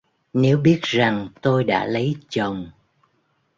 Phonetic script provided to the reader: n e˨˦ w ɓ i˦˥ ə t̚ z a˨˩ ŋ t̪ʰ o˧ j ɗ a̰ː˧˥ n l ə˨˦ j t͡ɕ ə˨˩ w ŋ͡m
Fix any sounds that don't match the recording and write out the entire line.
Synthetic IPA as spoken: n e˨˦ w ɓ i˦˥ ə t̚ z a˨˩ ŋ t̪ o˧ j ɗ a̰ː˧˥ l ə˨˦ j t͡ɕ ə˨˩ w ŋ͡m